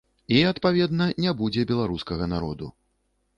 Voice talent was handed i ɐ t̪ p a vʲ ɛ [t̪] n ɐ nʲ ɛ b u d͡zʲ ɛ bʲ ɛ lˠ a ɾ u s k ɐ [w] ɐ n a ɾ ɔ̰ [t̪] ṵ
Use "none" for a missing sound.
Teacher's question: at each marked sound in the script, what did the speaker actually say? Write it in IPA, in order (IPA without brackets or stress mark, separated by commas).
d̪, ɣ, d̪